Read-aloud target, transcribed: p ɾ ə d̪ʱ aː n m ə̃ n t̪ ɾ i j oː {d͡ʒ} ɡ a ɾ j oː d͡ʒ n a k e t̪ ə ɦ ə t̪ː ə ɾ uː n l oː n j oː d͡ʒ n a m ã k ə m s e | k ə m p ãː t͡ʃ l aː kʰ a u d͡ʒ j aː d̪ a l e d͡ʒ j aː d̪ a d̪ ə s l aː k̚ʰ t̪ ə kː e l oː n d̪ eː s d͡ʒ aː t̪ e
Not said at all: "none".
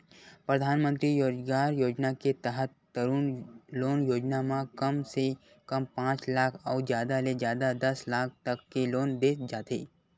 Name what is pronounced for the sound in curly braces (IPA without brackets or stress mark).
d͡ʒ